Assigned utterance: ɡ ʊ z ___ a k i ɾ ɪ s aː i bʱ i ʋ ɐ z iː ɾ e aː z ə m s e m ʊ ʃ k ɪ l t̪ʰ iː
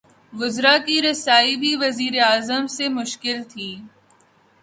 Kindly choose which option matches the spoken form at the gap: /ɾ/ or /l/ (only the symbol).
ɾ